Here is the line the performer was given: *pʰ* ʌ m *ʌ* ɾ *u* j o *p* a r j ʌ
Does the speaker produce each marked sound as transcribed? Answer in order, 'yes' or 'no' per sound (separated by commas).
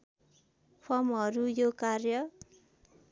yes, yes, yes, no